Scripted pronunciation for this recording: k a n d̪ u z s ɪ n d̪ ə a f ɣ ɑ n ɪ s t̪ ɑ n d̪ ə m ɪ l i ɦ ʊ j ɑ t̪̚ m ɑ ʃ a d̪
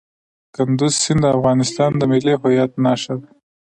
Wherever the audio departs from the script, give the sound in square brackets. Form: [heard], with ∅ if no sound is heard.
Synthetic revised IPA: k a n d̪ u z s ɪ n d̪ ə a f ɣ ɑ n ɪ s t̪ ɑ n d̪ ə m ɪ l i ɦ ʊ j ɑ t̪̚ [n] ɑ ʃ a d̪

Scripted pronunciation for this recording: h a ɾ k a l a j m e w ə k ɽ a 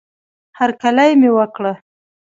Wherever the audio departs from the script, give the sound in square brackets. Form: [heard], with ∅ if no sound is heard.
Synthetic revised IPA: h a ɾ k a l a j m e w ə k ɽ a

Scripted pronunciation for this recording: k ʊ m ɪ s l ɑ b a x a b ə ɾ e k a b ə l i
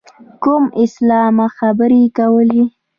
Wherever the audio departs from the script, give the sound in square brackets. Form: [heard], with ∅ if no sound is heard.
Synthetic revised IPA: k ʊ m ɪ s l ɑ [m] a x a b ə ɾ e k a [w] ə l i

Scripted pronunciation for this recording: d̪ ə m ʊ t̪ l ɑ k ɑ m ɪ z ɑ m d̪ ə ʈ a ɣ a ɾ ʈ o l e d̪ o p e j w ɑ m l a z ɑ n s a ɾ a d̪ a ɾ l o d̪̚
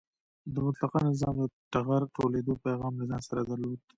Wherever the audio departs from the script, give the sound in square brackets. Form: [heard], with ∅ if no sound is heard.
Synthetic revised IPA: d̪ ə m ʊ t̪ l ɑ [q] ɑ [n] ɪ z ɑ m d̪ ə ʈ a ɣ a ɾ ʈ o l e d̪ o p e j [ɣ] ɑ m l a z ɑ n s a ɾ a d̪ a ɾ l o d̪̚

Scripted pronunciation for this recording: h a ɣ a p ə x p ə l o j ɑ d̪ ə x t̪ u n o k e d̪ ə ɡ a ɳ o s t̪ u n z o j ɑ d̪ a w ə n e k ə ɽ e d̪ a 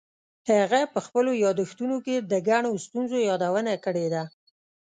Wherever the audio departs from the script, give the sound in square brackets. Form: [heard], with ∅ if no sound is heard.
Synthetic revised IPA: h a ɣ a p ə x p ə l o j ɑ d̪ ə x t̪ u n o k e d̪ ə ɡ a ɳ o s t̪ u n z o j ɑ d̪ a w ə n [a] k ə ɽ e d̪ a

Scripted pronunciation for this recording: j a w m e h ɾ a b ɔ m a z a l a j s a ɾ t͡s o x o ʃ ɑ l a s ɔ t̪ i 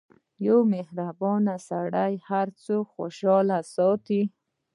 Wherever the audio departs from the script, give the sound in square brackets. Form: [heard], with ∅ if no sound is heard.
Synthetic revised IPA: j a w m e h ɾ a b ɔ [n] a [s] a [ɽ] a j [h] a ɾ t͡s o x o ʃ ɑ l a s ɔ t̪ i

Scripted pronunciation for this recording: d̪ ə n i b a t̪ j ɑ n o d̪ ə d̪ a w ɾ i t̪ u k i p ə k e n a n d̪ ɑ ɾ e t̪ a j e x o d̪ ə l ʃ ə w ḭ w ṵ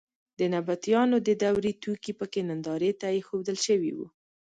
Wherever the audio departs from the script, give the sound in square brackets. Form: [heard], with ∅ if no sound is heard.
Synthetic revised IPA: d̪ ə n [a] b a t̪ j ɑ n o d̪ ə d̪ a w ɾ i t̪ u k i p ə k e n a n d̪ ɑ ɾ e t̪ a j e x o d̪ ə l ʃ ə w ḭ w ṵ

